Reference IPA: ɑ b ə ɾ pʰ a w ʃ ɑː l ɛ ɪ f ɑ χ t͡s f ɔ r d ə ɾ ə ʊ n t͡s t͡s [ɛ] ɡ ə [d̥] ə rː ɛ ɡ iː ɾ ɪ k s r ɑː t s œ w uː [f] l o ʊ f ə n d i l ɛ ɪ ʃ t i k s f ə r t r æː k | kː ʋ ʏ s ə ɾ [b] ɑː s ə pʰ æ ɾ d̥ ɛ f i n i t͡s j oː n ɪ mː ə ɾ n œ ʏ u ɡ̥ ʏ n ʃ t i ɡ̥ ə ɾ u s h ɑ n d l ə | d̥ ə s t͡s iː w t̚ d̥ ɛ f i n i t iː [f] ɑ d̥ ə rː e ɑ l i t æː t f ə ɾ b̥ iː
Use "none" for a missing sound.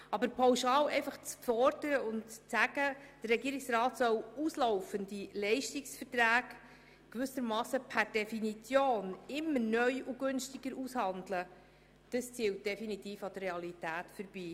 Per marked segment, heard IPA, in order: æ, d̥, s, m, f

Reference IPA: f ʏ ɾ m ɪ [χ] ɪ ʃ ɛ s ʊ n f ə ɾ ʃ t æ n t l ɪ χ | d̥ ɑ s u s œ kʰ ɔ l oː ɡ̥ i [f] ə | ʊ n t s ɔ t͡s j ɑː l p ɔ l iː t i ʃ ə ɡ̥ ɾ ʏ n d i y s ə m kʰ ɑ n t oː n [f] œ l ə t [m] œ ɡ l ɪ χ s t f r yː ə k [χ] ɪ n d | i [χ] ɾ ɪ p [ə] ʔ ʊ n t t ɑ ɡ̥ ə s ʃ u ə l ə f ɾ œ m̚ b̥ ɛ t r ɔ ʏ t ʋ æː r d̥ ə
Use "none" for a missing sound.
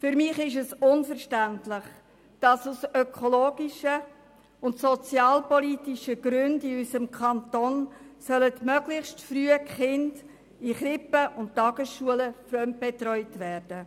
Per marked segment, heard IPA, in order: χ, ʃ, s, m, χ, χ, ə

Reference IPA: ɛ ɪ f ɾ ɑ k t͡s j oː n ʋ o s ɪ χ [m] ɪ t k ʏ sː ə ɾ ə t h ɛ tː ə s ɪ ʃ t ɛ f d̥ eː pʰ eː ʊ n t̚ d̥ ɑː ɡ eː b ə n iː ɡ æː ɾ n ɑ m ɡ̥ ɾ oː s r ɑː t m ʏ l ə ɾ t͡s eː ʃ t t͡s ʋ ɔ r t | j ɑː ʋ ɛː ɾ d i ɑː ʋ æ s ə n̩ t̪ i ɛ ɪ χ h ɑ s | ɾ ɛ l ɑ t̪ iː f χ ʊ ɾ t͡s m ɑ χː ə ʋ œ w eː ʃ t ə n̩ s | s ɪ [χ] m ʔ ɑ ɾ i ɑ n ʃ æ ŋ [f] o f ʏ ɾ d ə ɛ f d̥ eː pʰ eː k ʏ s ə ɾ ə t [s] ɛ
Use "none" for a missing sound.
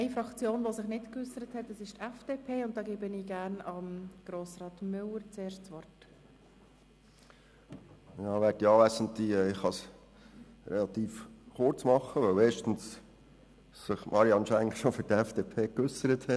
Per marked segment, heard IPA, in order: n, χ, ʃ, h

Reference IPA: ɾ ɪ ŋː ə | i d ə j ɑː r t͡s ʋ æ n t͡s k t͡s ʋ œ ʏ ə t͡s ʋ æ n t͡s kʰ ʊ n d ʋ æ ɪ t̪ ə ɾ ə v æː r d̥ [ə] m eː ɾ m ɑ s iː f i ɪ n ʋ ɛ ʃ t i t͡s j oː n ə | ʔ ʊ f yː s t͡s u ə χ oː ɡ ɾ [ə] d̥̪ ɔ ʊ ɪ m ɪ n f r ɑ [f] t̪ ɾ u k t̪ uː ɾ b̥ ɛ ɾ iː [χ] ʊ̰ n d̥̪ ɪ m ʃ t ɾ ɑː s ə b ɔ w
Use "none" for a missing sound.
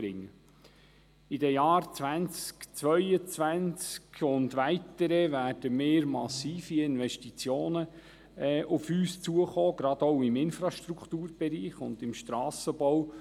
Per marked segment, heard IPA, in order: ə, ɑ, ʃ, χ

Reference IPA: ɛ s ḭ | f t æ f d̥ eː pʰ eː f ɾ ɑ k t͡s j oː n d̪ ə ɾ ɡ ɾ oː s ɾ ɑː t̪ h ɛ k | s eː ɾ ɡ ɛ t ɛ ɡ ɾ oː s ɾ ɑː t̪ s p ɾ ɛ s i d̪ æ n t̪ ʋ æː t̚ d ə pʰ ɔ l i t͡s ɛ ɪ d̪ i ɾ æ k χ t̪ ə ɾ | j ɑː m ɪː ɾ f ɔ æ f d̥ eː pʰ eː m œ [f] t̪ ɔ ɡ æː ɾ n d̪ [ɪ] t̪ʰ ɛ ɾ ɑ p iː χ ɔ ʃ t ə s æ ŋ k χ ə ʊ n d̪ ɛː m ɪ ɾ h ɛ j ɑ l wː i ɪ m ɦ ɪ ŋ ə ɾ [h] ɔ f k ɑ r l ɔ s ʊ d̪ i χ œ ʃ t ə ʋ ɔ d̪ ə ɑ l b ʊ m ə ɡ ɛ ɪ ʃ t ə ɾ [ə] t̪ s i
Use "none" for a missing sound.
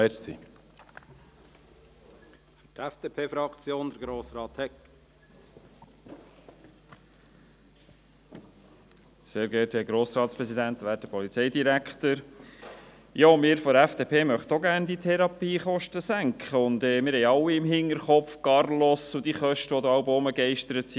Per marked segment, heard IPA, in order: χ, i, χ, ə

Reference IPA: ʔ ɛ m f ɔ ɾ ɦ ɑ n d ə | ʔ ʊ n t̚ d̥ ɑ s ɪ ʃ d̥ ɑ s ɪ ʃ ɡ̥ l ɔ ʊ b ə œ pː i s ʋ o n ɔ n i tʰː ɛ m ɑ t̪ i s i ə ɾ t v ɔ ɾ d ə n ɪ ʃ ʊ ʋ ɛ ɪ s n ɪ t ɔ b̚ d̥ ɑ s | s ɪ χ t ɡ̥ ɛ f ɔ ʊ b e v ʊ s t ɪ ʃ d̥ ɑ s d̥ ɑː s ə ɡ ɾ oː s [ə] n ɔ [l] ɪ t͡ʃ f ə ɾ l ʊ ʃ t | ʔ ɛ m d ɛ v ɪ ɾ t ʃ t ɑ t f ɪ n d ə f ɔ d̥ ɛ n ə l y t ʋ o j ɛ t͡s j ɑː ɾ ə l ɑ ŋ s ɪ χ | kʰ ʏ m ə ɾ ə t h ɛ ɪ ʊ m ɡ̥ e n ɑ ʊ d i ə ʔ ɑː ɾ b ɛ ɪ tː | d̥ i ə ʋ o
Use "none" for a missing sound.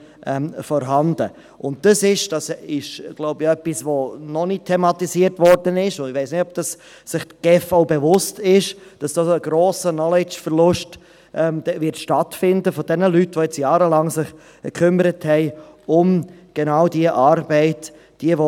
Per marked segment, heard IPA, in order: ə, l

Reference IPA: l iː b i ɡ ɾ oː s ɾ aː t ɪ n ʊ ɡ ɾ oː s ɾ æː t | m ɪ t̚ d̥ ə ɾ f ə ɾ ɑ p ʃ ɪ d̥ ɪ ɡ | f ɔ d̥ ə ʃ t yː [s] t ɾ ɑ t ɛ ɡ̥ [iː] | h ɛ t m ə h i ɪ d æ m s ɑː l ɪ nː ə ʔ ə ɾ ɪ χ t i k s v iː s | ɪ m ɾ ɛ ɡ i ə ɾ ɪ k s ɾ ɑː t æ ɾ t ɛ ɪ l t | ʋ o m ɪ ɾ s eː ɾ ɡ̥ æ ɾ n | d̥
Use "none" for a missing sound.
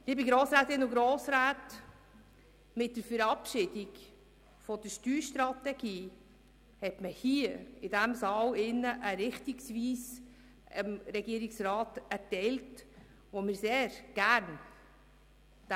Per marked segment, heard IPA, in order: ʃ, iː

